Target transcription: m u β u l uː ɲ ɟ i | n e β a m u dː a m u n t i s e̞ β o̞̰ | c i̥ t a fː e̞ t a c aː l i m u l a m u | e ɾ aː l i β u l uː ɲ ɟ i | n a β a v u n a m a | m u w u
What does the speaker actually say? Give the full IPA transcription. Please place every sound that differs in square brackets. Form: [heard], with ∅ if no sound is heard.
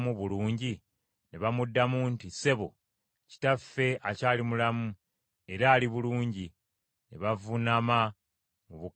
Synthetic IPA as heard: m u β u l uː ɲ ɟ i | n e β a m u dː a m u n t i s e̞ β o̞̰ | c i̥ t a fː e̞ [∅] a c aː l i m u l a m u | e ɾ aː l i β u l uː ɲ ɟ i | n [e] β a v u n a m a | m u [β] u

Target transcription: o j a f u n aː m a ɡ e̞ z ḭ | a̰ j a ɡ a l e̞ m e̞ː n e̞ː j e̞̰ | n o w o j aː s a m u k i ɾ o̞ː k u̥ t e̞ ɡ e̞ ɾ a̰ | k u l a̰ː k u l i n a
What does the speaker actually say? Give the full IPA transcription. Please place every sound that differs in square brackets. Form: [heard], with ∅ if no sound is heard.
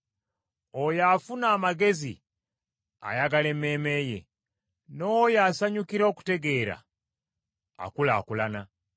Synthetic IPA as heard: o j a f u n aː m a ɡ e̞ z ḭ | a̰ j a ɡ a l e̞ m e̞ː [m] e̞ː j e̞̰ | n o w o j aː s a [ɲ] u k i ɾ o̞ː k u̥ t e̞ ɡ e̞ ɾ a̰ | k u l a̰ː k u l [a] n a

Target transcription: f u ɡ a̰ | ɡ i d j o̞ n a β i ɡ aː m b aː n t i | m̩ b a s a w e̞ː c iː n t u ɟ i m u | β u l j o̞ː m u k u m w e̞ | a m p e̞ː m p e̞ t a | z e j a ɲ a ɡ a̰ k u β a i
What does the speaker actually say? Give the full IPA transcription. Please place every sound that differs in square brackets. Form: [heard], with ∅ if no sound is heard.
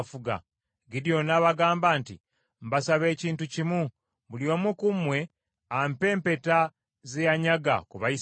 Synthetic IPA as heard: f u ɡ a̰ | ɡ i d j o̞ n a β [a] ɡ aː m b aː n t i | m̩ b a s a [β] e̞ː c iː n t u [c] i m u | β u l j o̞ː m u k u m w e̞ | a m p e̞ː m p e̞ t a | z e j a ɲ a ɡ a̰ k u β a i

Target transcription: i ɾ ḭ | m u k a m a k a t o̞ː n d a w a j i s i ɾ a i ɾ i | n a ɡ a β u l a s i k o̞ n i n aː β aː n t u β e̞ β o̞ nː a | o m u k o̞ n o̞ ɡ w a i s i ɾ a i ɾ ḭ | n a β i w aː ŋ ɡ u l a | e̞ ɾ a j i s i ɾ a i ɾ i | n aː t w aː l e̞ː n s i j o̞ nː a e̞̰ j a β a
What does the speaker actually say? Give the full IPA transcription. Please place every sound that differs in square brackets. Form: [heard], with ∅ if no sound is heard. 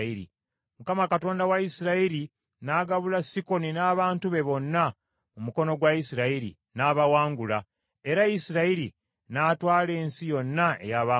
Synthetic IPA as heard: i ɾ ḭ | m u k a m a k a t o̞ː n d a w a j i s i ɾ a i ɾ i | n a ɡ a β u l a s i k o̞ n i n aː β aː n t u β e̞ β o̞ nː a | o m u k o̞ n o̞ ɡ w a i s i ɾ a i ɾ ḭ | n a β [a] w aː ŋ ɡ u l a | e̞ ɾ a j i s i ɾ a i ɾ i | n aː t w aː l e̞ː n s i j o̞ nː a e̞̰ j a β a

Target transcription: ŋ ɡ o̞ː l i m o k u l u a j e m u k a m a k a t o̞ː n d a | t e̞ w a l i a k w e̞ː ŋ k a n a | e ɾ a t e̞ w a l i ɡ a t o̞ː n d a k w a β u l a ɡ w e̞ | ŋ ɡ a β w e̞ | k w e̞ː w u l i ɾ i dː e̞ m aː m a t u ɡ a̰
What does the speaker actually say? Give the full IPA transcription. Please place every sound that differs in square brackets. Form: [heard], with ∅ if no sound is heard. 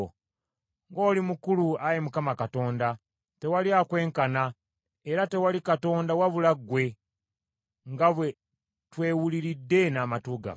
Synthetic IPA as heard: ŋ ɡ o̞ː l i m [u] k u l u a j e m u k a m a k a t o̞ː n d a | t e̞ w a l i a k w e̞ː ŋ k a n a | e ɾ a t e̞ w a l i [k] a t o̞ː n d a [∅] w a β u l a ɡ w e̞ | ŋ ɡ a β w e̞ | [t] w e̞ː w u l i ɾ i dː e̞ [n] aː m a t u ɡ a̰

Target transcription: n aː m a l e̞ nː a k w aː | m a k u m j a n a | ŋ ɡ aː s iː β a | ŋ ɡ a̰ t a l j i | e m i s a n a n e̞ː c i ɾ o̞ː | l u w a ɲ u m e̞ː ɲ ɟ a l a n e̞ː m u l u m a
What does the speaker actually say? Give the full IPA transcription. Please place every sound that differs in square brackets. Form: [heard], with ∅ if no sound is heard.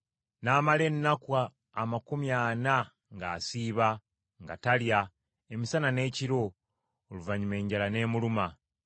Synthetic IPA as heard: n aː m a l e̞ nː a k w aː | m a k u m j a n a | ŋ ɡ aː s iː β a | ŋ ɡ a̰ t a l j [a] | e m i s a n a n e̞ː c i ɾ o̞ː | l u [v] a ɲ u m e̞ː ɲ ɟ a l a n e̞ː m u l u m a

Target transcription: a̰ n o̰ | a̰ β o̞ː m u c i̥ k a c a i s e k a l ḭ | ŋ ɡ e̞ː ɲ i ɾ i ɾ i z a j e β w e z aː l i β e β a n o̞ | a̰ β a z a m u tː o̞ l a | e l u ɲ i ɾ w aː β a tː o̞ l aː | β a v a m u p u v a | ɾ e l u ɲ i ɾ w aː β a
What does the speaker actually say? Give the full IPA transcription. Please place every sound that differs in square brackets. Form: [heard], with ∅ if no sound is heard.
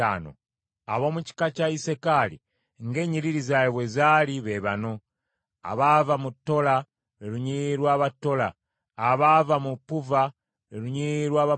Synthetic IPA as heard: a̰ n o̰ | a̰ β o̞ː m u c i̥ k a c a i s e k a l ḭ | ŋ ɡ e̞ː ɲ i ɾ i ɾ i z a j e β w e z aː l i β e β a n o̞ | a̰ β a [v] a m u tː o̞ l a | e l u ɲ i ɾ w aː β a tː o̞ l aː | β a v a m u p u v a | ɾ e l u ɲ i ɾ w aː β a

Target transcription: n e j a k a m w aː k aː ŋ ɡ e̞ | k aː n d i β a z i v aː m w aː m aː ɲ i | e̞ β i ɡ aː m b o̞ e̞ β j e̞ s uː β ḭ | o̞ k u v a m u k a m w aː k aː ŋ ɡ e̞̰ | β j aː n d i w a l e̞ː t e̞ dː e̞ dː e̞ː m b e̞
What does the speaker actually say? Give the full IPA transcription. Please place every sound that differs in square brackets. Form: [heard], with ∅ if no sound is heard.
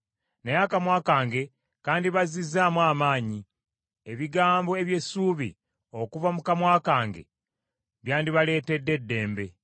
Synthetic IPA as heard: n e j a k a m w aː k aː ŋ ɡ e̞ | k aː n d i β a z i [z] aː m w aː m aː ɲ i | e̞ β i ɡ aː m b o̞ e̞ β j e̞ s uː β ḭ | o̞ k u v a m u k a m w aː k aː ŋ ɡ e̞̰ | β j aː n d i [β] a l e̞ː t e̞ dː e̞ dː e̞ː m b e̞

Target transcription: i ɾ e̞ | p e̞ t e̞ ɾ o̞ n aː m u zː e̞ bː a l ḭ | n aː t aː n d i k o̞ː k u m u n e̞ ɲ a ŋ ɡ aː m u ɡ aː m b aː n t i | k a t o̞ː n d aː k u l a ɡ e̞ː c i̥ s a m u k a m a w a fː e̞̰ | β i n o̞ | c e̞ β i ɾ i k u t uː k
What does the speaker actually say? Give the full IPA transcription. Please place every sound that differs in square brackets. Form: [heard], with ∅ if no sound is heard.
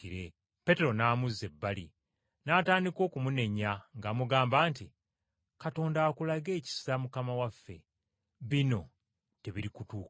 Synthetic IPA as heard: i ɾ e̞ | p e̞ t e̞ ɾ o̞ n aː m u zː e̞ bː a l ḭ | n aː t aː n d i k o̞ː k u m u n e̞ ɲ a ŋ ɡ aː m u ɡ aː m b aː n t i | k a t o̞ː n d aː k u l a ɡ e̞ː c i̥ s a m u k a m a w a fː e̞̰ | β i n o̞ | [t] e̞ β i ɾ i k u t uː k

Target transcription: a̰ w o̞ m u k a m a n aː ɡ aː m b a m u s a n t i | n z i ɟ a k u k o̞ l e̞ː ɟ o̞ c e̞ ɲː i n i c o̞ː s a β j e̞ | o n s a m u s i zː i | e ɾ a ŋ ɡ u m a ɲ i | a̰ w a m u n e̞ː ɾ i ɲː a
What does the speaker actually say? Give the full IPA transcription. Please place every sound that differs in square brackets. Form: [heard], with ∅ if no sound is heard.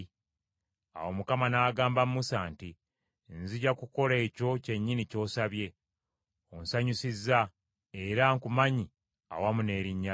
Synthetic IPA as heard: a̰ w o̞ m u k a m a n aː ɡ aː m b a m u s a n t i | n z i ɟ a k u k o̞ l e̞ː [c] o̞ c e̞ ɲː i n i c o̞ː s a β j e̞ | o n s a [ɲ] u s i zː [a] | e ɾ a ŋ [k] u m a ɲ i | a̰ w a m u n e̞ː ɾ i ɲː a

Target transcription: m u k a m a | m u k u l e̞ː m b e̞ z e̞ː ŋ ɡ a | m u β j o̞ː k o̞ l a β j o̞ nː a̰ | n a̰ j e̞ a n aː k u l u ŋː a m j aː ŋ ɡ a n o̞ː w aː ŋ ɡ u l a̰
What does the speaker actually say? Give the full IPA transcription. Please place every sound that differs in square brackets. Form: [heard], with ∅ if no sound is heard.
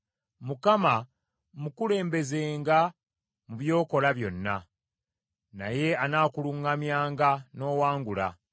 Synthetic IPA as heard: m u k a m a | m u k u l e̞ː m b e̞ z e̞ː ŋ ɡ a | m u β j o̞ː k o̞ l a β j o̞ nː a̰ | n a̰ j e̞ a n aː k u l u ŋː a m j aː ŋ ɡ a n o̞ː w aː ŋ ɡ u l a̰

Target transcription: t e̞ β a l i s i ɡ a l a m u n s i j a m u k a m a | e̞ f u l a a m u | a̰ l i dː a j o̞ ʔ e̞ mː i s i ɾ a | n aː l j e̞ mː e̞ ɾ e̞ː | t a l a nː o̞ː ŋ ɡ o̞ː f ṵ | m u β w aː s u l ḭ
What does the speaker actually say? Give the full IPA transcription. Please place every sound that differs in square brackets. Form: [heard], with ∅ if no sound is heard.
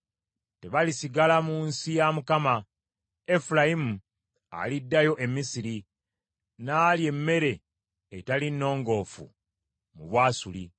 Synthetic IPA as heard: t e̞ β a l i s i ɡ a l a m u n s i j a m u k a m a | e̞ f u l a [i] m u | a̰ l i dː a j o̞ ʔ e̞ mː i s i ɾ [i] | n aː l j e̞ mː e̞ ɾ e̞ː | t a l [i] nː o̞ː ŋ ɡ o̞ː f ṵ | m u β w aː s u l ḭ

